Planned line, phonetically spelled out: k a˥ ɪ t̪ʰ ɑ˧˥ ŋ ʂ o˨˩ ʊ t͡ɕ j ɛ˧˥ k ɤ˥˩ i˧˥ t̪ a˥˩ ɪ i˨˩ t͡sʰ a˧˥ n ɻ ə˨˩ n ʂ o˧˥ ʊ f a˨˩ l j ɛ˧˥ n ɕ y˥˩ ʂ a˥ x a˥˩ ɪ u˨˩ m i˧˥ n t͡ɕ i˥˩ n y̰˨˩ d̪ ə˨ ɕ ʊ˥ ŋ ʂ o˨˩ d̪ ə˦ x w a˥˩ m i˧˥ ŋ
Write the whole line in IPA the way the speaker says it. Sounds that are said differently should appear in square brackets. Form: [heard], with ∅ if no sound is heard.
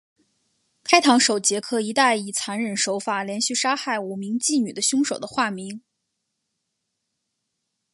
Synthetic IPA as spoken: [kʰ] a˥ ɪ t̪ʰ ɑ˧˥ ŋ ʂ o˨˩ ʊ t͡ɕ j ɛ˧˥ [kʰ] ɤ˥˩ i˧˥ t̪ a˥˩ ɪ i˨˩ t͡sʰ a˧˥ n ɻ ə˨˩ n ʂ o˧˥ ʊ f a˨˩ l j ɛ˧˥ n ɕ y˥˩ ʂ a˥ x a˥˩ ɪ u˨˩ m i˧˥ [ŋ] t͡ɕ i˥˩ n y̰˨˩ d̪ [ə˦] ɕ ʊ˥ ŋ ʂ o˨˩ d̪ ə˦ x w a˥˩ m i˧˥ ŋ